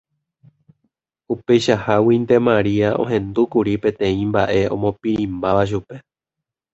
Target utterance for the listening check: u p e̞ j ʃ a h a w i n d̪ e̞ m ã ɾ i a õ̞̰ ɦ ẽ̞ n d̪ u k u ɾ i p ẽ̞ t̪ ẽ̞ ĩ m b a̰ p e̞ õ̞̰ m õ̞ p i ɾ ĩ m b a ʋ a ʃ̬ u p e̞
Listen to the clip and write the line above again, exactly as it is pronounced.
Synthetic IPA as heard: u p e̞ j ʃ a h a w i n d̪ e̞ m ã ɾ i a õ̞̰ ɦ ẽ̞ n d̪ u k u ɾ i p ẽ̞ t̪ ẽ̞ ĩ m b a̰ ʔ e̞ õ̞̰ m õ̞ p i ɾ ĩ m b a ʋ a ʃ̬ u p e̞